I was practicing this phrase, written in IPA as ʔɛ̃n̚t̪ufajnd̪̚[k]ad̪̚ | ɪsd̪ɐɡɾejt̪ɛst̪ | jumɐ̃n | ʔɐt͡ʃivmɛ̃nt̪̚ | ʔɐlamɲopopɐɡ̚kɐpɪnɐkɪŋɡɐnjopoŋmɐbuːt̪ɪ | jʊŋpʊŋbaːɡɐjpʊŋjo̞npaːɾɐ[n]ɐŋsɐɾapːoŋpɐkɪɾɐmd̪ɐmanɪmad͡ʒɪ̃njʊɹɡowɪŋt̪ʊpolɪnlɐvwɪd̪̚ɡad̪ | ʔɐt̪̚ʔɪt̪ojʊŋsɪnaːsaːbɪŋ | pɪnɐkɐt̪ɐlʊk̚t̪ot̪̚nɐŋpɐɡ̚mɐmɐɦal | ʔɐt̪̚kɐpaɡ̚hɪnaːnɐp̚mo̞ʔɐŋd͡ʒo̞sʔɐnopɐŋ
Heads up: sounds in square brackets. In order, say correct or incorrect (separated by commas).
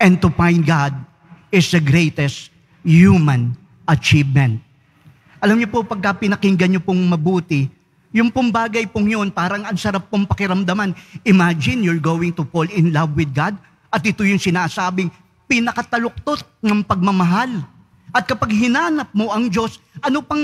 incorrect, incorrect